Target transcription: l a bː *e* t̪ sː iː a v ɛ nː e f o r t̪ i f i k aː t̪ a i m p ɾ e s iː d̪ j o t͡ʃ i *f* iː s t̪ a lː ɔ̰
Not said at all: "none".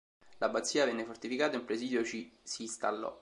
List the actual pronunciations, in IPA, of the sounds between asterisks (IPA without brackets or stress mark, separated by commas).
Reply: a, s